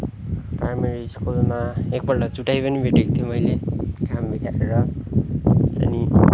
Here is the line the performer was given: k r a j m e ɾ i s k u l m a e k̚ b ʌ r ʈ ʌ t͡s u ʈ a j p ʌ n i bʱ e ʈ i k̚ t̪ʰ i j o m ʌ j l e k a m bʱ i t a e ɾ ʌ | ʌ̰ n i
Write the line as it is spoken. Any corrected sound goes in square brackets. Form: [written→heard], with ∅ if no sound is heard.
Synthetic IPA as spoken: [k→p] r a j m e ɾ i s k u l m a e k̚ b ʌ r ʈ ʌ t͡s u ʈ a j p ʌ n i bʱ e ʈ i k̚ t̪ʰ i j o m ʌ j l e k a m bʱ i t a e ɾ ʌ | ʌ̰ n i